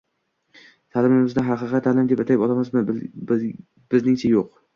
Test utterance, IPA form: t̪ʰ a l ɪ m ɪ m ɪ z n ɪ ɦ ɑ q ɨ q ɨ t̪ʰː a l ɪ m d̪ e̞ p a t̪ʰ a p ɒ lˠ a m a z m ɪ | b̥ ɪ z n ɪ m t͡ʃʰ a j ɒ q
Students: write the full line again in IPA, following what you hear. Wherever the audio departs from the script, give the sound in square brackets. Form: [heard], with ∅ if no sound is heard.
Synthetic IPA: t̪ʰ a l ɪ m ɪ m ɪ z n ɪ ɦ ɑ q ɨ q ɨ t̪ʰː a l ɪ m d̪ e̞ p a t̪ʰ a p ɒ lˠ a m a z m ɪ | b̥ ɪ z n ɪ [ŋ] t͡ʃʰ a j [o] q